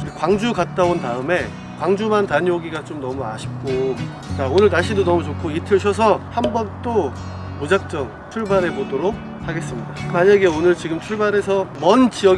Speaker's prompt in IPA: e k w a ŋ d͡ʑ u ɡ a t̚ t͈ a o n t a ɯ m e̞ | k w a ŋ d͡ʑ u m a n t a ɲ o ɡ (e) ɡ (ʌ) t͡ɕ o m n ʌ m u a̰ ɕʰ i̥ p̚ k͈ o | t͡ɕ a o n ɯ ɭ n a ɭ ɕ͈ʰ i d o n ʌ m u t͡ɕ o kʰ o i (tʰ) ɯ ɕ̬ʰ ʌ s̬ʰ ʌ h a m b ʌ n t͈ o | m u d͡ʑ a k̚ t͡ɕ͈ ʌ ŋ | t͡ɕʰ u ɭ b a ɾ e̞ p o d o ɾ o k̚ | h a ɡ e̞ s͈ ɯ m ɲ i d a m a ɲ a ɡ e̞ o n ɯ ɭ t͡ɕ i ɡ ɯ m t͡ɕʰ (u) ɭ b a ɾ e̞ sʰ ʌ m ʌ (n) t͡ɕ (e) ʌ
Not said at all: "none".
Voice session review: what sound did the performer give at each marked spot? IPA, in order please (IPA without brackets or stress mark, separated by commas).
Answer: i, a, tʰ, u, n, i